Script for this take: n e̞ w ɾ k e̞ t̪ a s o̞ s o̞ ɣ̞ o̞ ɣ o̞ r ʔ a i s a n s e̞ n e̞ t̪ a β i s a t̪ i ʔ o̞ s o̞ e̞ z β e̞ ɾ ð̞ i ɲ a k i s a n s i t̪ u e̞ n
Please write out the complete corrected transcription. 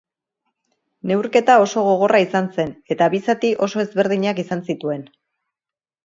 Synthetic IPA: n e̞ w ɾ k e̞ t̪ a o̞ s o̞ ɣ̞ o̞ ɣ o̞ r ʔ a i s a n s e̞ n e̞ t̪ a β i s a t̪ i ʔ o̞ s o̞ e̞ z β e̞ ɾ ð̞ i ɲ a k i s a n s i t̪ u e̞ n